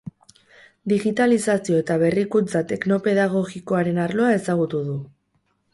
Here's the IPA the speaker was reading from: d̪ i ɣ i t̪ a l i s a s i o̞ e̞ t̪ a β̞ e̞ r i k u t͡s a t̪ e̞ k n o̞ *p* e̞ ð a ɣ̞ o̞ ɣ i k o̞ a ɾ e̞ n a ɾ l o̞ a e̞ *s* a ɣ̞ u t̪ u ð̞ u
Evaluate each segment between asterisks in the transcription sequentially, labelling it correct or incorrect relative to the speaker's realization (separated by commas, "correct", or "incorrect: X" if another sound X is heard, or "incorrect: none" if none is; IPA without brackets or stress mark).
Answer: correct, correct